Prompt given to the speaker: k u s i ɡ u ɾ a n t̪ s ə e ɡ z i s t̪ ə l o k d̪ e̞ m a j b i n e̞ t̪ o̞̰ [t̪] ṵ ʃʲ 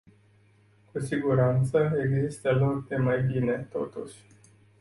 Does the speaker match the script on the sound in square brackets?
yes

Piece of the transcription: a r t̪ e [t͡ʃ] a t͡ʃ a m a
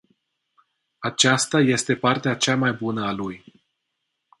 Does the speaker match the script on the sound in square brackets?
no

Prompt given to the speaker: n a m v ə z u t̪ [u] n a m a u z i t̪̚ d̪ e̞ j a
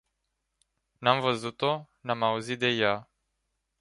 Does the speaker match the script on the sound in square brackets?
no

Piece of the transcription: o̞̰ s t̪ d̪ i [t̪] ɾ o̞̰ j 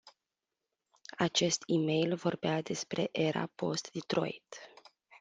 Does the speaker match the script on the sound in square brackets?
yes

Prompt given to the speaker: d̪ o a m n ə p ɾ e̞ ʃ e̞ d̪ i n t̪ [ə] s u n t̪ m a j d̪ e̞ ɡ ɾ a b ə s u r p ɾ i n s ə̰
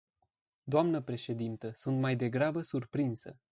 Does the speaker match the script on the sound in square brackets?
yes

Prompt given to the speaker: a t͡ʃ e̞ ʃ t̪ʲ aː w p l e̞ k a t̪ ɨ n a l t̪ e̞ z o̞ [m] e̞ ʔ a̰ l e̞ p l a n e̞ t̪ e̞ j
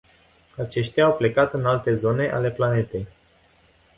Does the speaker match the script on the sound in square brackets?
no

